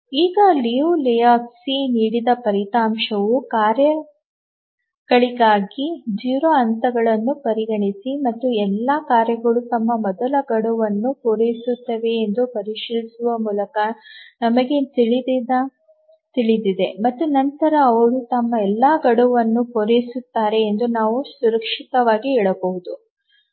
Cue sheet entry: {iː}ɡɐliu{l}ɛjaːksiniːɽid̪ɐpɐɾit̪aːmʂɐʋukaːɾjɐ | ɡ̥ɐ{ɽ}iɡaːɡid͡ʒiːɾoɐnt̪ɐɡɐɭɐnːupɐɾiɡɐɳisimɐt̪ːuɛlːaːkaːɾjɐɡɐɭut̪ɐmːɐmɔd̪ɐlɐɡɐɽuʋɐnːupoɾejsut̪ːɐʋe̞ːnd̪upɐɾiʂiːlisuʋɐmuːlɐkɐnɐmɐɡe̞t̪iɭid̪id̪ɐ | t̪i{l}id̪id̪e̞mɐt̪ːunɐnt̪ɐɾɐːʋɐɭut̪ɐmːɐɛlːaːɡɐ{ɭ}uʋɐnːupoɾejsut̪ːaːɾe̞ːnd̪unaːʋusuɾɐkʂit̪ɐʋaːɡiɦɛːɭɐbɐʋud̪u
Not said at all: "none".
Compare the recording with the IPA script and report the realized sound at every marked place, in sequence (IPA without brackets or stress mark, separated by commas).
iː, l, ɭ, ɭ, ɽ